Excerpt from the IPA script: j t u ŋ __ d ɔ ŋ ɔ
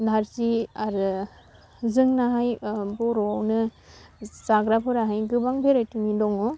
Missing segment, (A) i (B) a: A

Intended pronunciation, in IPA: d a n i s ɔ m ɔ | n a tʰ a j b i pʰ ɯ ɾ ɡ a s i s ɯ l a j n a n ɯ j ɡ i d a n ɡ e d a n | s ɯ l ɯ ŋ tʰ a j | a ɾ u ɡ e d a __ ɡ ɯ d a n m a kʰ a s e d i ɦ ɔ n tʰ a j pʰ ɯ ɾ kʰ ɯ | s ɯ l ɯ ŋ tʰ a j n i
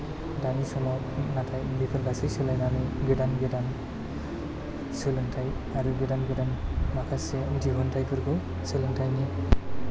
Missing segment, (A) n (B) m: A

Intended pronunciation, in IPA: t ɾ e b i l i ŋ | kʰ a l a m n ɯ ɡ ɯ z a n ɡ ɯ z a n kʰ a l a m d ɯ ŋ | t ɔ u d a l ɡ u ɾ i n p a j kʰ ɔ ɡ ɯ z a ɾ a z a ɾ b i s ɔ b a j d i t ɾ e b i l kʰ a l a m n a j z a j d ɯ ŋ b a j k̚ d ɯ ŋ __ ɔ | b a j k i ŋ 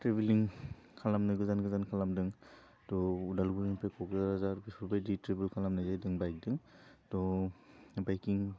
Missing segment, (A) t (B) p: A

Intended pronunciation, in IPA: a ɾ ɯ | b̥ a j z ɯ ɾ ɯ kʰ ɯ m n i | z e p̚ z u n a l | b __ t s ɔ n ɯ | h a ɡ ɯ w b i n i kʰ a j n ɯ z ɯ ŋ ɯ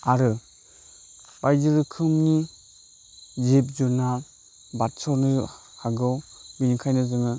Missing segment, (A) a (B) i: A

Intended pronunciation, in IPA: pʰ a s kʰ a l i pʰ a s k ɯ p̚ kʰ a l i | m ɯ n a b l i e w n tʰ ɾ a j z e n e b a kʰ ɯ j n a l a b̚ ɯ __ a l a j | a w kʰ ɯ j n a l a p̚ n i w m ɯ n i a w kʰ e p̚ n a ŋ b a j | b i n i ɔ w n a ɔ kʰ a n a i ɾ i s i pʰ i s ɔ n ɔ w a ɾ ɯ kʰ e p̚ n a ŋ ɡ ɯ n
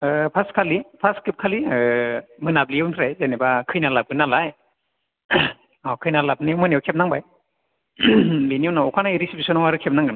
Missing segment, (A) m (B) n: B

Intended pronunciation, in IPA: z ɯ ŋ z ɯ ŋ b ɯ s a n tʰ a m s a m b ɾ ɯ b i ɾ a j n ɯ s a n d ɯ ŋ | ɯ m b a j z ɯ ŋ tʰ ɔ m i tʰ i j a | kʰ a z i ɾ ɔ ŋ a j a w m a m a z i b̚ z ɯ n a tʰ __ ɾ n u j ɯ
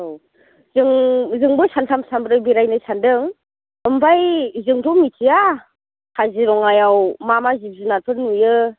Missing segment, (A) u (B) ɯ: B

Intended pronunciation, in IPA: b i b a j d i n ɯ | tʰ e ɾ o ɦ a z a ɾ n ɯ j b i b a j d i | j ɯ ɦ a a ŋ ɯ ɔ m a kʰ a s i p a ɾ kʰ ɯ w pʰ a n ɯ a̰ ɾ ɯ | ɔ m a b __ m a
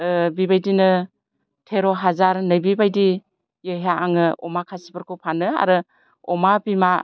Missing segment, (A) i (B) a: A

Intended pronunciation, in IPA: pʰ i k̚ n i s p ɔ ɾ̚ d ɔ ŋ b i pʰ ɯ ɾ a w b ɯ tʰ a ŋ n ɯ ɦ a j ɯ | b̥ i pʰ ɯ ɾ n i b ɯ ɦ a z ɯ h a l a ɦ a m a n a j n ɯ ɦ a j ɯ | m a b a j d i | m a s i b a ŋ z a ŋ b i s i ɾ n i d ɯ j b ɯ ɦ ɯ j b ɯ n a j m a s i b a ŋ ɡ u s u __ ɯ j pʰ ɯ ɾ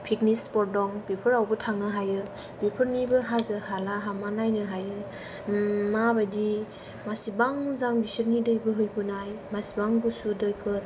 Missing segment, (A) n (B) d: B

